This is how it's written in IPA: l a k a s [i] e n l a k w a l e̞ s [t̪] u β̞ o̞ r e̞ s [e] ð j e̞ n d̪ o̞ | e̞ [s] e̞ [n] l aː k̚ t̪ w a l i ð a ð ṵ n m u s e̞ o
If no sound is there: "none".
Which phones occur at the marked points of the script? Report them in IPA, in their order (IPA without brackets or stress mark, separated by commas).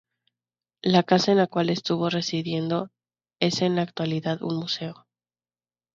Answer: a, t̪, i, s, n